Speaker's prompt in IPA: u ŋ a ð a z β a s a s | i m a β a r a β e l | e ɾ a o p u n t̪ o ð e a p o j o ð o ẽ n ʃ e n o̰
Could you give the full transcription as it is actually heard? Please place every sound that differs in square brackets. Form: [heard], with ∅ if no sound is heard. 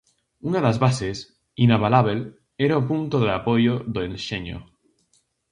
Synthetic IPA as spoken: u [n] a ð a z β a s [e] s | i [n] a β a [l] a β e l | e ɾ a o p u n t̪ o ð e a p o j o ð o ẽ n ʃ e [ɲ] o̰